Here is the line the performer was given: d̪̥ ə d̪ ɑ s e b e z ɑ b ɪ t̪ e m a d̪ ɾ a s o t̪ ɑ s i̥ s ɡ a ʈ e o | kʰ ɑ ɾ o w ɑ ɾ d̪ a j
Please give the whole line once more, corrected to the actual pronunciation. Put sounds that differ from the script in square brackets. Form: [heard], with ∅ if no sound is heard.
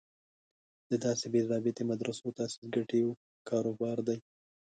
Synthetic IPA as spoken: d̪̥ ə d̪ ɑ s e b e z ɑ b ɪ t̪ e m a d̪ ɾ a s o t̪ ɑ s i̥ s ɡ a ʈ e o | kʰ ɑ ɾ o [b] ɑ ɾ d̪ a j